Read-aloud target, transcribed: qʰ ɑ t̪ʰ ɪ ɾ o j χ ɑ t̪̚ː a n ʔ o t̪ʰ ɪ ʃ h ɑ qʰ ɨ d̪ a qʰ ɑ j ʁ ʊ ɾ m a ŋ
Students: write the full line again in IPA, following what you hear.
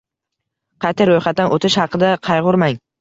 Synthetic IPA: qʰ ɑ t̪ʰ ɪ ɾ o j χ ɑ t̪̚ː a n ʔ o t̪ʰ ɪ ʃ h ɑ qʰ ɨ d̪ a qʰ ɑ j ʁ ʊ ɾ m a ŋ